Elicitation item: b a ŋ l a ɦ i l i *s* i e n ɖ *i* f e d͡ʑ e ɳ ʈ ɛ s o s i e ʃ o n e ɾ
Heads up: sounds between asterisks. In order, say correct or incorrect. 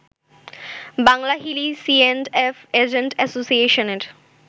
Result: correct, incorrect

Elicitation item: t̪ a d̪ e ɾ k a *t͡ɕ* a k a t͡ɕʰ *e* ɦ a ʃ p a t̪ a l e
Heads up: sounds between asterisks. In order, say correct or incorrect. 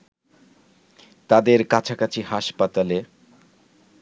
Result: incorrect, incorrect

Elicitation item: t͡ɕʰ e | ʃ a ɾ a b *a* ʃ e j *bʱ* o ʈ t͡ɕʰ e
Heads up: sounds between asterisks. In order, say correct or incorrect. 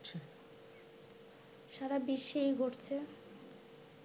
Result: incorrect, incorrect

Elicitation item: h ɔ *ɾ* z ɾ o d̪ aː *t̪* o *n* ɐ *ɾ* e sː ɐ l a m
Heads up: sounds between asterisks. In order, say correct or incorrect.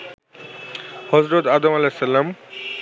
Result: incorrect, incorrect, incorrect, incorrect

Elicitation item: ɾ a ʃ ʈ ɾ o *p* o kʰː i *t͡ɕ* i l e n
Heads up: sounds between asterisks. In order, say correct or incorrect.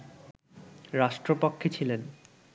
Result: correct, incorrect

